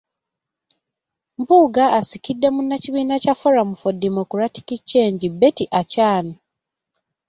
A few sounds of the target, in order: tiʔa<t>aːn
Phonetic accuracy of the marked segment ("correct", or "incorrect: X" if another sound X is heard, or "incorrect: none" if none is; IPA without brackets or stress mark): incorrect: c